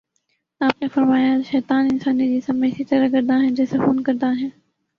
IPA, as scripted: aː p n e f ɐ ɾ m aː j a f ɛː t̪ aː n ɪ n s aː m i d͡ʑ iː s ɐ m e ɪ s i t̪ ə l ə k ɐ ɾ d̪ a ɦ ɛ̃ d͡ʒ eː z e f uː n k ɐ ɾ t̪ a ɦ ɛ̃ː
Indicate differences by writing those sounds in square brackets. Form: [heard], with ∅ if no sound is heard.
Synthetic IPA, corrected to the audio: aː p n e f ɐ ɾ m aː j a [ʃ] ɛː t̪ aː n ɪ n s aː [n] i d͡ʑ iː s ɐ m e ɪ s i t̪ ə [ɾ] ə k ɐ ɾ d̪ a ɦ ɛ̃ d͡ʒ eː [s] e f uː n k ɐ ɾ [d̪] a ɦ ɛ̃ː